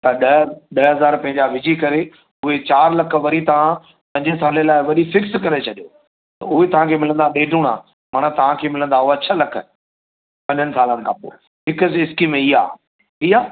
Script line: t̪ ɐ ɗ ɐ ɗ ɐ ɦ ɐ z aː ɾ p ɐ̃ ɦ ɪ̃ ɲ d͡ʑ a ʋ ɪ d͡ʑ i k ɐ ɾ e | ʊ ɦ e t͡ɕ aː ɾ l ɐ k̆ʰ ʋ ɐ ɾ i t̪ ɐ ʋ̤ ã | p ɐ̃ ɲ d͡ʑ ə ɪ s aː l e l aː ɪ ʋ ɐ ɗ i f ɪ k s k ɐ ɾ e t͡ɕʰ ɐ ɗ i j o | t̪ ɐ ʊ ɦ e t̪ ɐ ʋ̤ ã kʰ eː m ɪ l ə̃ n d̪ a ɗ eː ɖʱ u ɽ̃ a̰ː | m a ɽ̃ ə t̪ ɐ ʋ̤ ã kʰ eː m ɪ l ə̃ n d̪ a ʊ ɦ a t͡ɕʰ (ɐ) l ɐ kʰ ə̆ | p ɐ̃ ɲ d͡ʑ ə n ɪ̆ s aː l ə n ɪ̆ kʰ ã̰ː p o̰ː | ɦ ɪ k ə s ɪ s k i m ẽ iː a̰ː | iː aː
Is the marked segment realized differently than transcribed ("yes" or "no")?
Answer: no